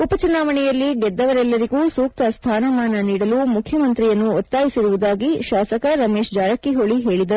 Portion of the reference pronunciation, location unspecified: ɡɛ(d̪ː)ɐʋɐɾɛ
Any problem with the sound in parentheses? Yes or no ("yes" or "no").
no